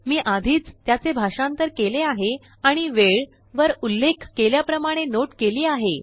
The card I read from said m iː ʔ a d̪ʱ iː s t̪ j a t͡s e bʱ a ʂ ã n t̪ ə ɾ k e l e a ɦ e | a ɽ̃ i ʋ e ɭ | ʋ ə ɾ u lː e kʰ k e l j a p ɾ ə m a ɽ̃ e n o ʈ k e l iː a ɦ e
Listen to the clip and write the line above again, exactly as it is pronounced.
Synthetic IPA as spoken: m iː ʔ a d̪ʱ iː t͡s t̪ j a t͡s e bʱ a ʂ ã n t̪ ə ɾ k e l e a ɦ e | a ɽ̃ i ʋ e ɭ | ʋ ə ɾ u lː e kʰ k e l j a p ɾ ə m a ɽ̃ e n o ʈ k e l iː a ɦ e